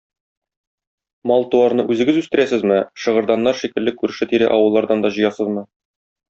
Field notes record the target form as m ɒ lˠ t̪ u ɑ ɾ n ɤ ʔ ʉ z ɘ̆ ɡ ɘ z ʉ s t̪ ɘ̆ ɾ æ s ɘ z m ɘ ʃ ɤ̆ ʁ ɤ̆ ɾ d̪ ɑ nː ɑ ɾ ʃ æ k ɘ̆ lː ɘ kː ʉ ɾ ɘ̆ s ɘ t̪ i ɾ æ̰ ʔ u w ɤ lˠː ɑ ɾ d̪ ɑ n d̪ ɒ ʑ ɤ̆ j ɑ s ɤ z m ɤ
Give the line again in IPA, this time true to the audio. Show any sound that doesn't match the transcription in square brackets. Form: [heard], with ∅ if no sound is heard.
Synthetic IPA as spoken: m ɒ lˠ t̪ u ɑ ɾ n ɤ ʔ ʉ z ɘ̆ ɡ ɘ z ʉ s t̪ ɘ̆ ɾ æ s ɘ z m ɘ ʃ ɤ̆ ʁ ɤ̆ ɾ d̪ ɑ nː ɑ ɾ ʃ [i] k ɘ̆ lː ɘ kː ʉ ɾ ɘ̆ [ʃ] ɘ t̪ i ɾ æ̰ ʔ [ɒ] w ɤ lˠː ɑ ɾ d̪ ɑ n d̪ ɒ ʑ ɤ̆ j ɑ s ɤ z m ɤ